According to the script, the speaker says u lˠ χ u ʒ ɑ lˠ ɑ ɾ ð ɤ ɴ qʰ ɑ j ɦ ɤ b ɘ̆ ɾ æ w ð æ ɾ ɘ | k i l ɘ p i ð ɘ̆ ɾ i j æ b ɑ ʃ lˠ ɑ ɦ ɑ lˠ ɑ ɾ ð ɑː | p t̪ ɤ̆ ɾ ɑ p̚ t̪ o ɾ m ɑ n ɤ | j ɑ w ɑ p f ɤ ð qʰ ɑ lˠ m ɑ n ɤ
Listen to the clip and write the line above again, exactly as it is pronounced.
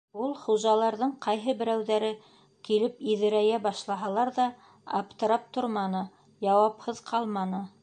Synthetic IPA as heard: u lˠ χ u ʒ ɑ lˠ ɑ ɾ ð ɤ ɴ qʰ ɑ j ɦ ɤ b ɘ̆ ɾ æ w ð æ ɾ ɘ | k i l ɘ p i ð ɘ̆ ɾ æ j æ b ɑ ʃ lˠ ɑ ɦ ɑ lˠ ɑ ɾ ð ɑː | p t̪ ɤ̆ ɾ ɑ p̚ t̪ o ɾ m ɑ n ɤ | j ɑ w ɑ p h ɤ ð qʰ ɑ lˠ m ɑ n ɤ